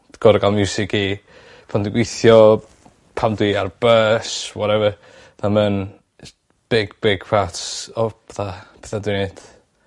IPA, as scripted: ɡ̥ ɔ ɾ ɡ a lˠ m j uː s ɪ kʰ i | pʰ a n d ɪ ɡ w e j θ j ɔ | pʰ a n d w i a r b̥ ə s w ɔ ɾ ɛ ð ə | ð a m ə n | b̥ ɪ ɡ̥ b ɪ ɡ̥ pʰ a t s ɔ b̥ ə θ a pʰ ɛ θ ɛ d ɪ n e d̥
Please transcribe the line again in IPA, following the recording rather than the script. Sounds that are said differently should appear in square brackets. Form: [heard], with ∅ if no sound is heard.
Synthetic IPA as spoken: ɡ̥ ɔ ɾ ɡ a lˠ m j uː s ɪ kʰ i | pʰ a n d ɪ ɡ w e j θ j ɔ | pʰ a [m] d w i a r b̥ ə s w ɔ ɾ ɛ [v] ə | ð a m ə n | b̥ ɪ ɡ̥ b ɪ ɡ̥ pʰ a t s ɔ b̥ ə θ a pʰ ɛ θ [a] d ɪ n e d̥